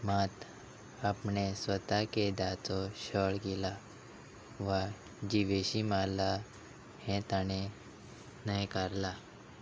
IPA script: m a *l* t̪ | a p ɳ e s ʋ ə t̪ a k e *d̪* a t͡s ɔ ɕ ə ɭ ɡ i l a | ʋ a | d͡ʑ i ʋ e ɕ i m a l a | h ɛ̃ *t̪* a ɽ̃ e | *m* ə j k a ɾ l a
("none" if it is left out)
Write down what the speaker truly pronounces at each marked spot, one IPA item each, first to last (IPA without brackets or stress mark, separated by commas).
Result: none, d̪, t̪, n